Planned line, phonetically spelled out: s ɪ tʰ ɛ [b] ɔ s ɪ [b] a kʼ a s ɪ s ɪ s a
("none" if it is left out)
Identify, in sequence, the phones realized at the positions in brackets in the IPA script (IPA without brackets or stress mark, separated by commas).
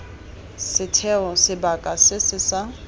none, b